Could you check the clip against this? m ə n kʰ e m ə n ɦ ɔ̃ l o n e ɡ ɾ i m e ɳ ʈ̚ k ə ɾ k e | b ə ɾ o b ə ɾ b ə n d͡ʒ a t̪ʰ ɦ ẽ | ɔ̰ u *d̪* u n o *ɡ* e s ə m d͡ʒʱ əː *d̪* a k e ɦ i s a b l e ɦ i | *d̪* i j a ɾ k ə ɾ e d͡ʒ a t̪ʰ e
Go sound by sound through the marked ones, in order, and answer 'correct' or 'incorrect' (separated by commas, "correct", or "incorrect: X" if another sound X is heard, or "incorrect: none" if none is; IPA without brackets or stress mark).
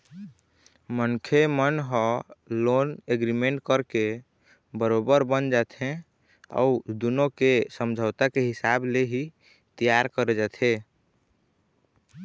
correct, incorrect: k, incorrect: t̪, incorrect: t̪